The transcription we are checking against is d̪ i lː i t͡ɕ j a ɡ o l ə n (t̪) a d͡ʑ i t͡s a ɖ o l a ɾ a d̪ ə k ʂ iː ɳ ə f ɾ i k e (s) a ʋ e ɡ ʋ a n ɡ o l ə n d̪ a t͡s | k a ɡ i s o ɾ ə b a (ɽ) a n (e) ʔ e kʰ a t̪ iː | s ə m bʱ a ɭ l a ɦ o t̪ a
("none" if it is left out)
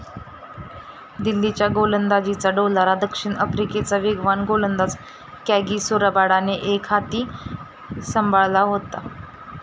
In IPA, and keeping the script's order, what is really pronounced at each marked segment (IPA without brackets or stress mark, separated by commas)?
d̪, t͡s, ɽ, e